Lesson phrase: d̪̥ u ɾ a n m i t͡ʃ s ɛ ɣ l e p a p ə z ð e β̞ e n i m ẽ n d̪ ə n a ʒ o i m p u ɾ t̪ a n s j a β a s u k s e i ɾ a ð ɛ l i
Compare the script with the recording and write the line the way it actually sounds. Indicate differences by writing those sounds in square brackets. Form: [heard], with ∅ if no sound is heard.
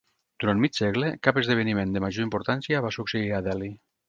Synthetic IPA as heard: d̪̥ u ɾ a n m i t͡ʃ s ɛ ɣ l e [k] a p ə z ð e β̞ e n i m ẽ n d̪ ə [m] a ʒ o i m p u ɾ t̪ a n s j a β a s u k s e i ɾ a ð ɛ l i